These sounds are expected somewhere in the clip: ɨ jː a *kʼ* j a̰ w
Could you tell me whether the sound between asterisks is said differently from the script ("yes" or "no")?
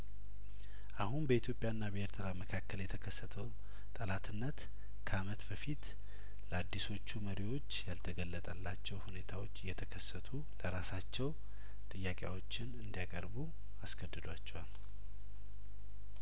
no